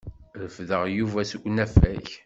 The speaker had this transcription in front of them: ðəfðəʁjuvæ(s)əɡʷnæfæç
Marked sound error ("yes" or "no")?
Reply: no